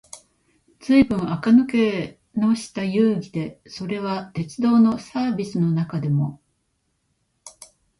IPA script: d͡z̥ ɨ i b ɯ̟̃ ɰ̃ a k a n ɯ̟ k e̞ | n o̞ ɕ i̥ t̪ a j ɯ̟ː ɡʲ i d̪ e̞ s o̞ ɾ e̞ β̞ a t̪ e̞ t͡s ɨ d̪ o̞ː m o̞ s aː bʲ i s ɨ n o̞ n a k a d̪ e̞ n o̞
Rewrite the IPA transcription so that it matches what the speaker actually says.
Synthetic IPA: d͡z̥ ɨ i b ɯ̟̃ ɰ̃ a k a n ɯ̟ k e̞ | n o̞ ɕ i̥ t̪ a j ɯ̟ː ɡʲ i d̪ e̞ s o̞ ɾ e̞ β̞ a t̪ e̞ t͡s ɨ d̪ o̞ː n o̞ s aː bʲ i s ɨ n o̞ n a k a d̪ e̞ m o̞